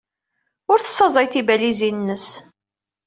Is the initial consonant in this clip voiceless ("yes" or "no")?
no